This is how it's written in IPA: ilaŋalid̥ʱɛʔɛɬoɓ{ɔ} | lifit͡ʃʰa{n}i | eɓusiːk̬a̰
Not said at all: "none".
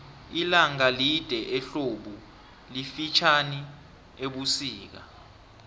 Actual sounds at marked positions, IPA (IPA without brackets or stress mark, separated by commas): u, n